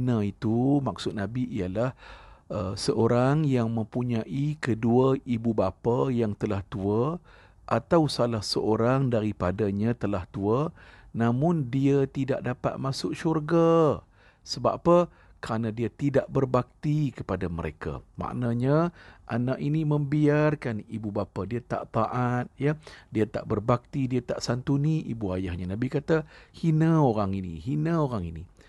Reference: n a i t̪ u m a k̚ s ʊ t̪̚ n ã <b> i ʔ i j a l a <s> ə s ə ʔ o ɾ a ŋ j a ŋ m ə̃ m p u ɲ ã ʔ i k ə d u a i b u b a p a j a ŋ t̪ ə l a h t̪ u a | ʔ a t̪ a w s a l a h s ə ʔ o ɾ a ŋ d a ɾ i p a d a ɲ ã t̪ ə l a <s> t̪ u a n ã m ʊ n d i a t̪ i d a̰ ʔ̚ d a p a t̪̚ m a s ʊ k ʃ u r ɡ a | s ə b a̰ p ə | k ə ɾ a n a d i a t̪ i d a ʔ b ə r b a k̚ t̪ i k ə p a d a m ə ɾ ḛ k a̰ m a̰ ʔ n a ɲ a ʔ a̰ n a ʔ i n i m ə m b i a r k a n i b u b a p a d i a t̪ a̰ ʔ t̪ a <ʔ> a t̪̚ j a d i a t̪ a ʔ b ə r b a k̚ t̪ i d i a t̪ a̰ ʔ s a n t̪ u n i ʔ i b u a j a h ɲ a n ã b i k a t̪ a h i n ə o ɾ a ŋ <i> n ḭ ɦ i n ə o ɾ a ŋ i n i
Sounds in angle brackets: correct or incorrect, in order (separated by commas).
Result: correct, incorrect, incorrect, correct, correct